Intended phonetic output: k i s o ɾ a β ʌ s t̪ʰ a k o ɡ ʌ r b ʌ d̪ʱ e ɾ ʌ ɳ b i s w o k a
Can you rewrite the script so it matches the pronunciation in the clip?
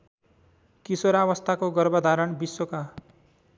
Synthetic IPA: k i s o ɾ a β ʌ s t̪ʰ a k o ɡ ʌ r b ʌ d̪ʱ a ɾ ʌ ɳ b i s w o k a